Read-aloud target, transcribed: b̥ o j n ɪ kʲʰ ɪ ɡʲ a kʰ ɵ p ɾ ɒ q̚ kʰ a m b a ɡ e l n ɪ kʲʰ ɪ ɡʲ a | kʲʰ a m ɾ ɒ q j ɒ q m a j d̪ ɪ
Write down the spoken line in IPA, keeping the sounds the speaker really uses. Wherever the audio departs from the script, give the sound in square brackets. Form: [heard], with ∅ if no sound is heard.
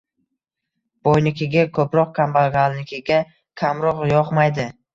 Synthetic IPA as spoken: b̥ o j n ɪ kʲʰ ɪ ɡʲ a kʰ ɵ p ɾ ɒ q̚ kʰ a m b a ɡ [a] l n ɪ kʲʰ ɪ ɡʲ a | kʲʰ a m ɾ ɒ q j ɒ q m a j d̪ ɪ

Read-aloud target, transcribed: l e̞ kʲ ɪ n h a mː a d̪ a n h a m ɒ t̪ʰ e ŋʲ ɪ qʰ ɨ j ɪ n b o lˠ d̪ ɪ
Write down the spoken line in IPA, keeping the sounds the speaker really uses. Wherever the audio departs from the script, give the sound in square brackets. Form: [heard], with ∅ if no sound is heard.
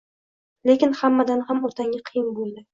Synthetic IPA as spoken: l e̞ kʲ ɪ n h a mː a d̪ a n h a m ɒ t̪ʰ [a] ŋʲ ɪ qʰ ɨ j ɪ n b o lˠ d̪ ɪ

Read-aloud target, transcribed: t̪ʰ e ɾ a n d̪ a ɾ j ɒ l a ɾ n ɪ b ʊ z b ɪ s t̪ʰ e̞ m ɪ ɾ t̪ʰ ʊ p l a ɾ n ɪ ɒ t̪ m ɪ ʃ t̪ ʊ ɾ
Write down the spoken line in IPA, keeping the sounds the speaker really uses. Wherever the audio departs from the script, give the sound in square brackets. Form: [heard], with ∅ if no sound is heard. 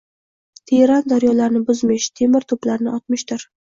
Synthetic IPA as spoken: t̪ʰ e ɾ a n d̪ a ɾ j ɒ l a ɾ n ɪ b ʊ z [m] ɪ [ʃ] t̪ʰ e̞ m ɪ ɾ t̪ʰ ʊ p l a ɾ n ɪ ɒ t̪ m ɪ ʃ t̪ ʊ ɾ

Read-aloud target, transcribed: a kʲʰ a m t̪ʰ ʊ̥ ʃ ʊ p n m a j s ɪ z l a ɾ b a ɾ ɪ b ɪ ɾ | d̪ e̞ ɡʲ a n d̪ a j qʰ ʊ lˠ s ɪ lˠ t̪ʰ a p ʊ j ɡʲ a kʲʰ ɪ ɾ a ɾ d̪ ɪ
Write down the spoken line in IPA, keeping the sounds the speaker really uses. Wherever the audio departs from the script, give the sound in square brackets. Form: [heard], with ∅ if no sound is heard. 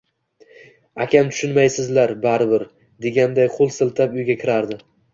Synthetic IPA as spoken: a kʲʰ a m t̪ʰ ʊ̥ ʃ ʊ [∅] n m a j s ɪ z l a ɾ b a ɾ ɪ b ɪ ɾ | d̪ e̞ ɡʲ a n d̪ a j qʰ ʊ lˠ s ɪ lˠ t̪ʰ a p ʊ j ɡʲ a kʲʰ ɪ ɾ a ɾ d̪ ɪ

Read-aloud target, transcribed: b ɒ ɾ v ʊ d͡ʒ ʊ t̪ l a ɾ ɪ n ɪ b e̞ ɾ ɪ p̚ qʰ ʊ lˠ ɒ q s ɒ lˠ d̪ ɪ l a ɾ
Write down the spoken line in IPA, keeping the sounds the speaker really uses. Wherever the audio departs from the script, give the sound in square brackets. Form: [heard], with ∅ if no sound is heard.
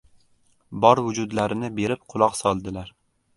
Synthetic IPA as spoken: b ɒ ɾ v ʊ d͡ʒ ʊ [d̪] l a ɾ ɪ n ɪ b e̞ ɾ ɪ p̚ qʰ ʊ lˠ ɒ q s ɒ lˠ d̪ ɪ l a ɾ

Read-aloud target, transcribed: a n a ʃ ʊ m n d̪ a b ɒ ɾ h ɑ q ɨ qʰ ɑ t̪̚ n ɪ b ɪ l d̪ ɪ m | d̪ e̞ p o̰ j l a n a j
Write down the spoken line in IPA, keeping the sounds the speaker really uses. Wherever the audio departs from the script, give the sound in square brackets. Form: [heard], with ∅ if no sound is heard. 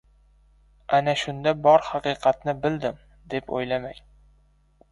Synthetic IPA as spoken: a n a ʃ ʊ [∅] n d̪ a b ɒ ɾ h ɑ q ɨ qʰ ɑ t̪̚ n ɪ b ɪ l d̪ ɪ m | d̪ e̞ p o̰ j l a [m] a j

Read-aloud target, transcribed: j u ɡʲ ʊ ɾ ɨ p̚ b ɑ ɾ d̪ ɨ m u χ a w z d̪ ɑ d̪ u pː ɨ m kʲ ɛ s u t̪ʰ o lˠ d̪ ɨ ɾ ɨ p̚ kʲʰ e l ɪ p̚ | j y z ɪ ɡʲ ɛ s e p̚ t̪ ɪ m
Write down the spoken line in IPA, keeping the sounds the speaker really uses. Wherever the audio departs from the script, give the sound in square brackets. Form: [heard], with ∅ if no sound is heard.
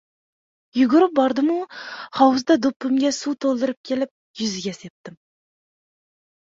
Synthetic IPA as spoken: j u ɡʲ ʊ ɾ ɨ p̚ b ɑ ɾ d̪ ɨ m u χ [ɑ] w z d̪ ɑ d̪ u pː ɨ m [ɡʲ] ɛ s u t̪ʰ o lˠ d̪ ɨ ɾ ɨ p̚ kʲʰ e l ɪ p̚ | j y z ɪ ɡʲ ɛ s e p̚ t̪ ɪ m

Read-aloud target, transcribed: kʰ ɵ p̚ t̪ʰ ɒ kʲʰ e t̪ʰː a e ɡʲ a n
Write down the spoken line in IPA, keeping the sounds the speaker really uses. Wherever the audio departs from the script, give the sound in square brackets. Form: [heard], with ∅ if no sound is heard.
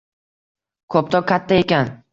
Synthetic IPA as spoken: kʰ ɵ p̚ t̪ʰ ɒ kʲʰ [a] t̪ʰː a e [kʲ] a n

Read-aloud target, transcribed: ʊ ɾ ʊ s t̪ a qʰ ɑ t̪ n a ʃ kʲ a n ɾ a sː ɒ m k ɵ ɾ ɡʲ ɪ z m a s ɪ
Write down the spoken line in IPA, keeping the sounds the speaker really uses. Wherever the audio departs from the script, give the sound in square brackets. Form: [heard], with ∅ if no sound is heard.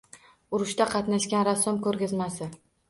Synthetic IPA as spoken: ʊ ɾ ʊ [ʃ] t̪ a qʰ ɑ t̪ n a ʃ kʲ a n ɾ a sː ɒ m k ɵ ɾ ɡʲ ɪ z m a s ɪ

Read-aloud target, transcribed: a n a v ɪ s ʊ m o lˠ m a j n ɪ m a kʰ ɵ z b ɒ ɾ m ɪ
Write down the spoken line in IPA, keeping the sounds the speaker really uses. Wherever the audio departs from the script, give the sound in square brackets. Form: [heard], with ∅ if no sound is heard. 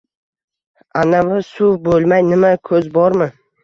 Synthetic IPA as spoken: a n a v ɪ s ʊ [b] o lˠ m a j n ɪ m a kʰ ɵ z b ɒ ɾ m ɪ

